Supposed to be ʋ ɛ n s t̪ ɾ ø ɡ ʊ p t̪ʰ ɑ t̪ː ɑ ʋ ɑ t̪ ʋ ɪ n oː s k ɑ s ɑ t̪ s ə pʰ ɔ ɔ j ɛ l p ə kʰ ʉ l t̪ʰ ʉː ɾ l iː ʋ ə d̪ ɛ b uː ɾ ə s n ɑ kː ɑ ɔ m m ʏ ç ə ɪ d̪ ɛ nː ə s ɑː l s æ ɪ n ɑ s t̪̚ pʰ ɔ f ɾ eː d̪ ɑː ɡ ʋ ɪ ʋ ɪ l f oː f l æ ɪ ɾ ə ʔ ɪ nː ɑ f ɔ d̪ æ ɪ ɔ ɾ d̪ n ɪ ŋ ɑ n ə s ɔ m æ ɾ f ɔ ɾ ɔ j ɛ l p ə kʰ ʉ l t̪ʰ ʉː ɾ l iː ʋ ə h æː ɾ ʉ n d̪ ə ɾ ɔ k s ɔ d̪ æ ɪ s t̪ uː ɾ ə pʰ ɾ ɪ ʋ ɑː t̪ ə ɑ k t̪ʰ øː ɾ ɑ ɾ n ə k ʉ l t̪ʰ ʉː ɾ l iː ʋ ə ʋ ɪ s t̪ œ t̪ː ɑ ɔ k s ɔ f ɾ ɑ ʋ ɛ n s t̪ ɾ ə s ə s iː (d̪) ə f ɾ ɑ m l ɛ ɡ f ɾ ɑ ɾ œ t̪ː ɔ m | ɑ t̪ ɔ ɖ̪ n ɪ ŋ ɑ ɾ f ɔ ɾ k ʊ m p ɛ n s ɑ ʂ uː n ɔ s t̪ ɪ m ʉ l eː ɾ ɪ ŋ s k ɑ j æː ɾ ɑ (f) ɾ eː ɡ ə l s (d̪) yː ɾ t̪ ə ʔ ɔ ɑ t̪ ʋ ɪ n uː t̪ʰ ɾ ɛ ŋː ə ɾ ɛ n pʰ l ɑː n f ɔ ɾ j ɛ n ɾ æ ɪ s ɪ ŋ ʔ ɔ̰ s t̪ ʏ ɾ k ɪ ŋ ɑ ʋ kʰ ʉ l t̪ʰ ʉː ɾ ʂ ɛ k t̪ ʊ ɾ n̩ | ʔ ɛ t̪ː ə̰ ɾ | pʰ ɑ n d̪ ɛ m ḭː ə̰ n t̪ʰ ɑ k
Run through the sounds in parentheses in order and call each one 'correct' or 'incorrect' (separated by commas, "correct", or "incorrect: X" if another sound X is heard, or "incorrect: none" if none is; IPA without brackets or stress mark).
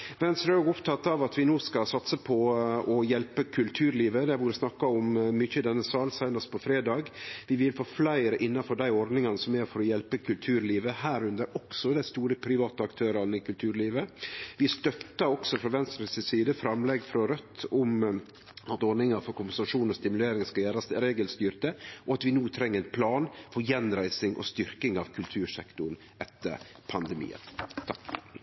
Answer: correct, incorrect: s, incorrect: t̪